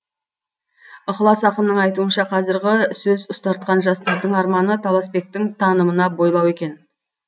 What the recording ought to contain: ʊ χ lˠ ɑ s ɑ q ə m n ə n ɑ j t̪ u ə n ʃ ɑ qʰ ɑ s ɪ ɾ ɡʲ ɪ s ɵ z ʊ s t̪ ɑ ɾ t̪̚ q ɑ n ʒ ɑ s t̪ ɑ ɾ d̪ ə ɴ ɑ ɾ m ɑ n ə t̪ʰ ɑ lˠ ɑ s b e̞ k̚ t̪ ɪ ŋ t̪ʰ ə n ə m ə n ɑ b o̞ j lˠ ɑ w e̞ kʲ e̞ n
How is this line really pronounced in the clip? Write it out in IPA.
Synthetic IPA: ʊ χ lˠ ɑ s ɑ q ə m n ə ɴ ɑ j t̪ u ə n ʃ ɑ qʰ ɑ z ɪ ɾ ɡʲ ɪ s ɵ z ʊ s t̪ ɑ ɾ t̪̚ q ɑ n ʒ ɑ s t̪ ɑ ɾ d̪ ə ɴ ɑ ɾ m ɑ n ə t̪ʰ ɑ lˠ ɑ s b e̞ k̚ t̪ ɪ ŋ t̪ʰ ɑ n ə m ə n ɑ b o̞ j lˠ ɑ w e̞ kʲ e̞ n